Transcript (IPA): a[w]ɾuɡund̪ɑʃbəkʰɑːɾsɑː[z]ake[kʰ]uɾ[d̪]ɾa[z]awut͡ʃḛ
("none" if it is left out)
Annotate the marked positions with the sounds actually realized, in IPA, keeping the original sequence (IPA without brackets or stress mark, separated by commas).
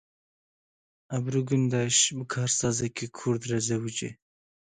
b, z, kʰ, d̪, z